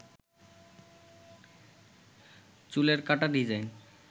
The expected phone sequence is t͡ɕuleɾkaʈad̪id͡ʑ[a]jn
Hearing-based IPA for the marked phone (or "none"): a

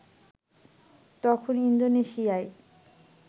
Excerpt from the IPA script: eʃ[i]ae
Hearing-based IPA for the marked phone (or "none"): i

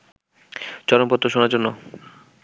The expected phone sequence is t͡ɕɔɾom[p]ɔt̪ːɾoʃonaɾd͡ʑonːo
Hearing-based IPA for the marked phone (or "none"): p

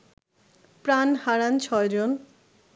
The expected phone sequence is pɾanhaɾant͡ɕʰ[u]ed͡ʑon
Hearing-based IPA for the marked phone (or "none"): ɔ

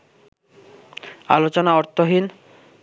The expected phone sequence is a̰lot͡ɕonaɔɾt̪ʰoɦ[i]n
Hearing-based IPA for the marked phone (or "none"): i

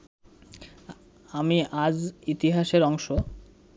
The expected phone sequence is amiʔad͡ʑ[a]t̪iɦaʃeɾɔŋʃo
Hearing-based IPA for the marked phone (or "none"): i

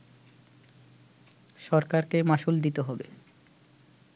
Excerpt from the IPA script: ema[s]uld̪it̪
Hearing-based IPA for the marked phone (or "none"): ʃ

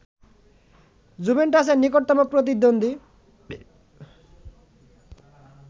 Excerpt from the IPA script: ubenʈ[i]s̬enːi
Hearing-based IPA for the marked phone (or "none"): a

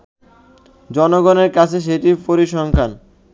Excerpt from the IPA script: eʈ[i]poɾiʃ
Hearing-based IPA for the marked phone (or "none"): i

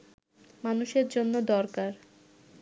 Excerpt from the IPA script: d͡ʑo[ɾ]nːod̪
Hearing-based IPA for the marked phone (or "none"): none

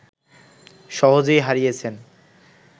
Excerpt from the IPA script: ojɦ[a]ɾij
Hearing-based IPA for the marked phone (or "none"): a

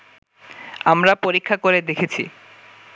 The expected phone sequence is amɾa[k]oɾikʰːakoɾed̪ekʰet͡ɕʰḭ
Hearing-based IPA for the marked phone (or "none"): p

